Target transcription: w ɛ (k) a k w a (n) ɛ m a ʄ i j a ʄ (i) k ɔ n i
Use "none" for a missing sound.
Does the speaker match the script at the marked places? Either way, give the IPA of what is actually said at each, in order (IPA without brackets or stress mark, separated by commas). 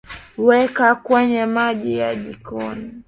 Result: k, ɲ, i